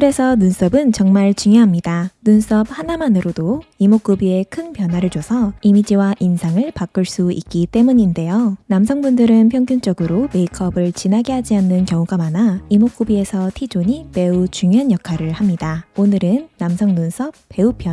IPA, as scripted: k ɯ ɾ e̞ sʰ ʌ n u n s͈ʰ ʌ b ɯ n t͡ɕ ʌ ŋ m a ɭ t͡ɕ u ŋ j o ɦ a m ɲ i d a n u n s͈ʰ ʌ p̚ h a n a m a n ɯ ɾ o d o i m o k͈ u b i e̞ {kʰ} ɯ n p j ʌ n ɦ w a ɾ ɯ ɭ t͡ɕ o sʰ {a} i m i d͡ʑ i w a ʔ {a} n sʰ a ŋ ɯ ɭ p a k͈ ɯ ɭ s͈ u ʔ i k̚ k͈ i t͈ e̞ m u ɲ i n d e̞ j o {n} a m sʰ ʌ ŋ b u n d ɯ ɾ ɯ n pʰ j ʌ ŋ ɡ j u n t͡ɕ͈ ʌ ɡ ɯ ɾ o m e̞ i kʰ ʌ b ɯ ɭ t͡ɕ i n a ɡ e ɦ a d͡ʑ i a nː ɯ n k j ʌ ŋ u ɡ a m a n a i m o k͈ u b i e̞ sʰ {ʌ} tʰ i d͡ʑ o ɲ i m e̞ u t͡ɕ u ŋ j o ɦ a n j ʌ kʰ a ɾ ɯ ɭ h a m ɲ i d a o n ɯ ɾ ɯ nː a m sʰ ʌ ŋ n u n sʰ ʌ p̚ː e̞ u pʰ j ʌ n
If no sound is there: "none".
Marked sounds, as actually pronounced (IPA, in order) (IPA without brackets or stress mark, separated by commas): kʰ, ʌ, i, n, ʌ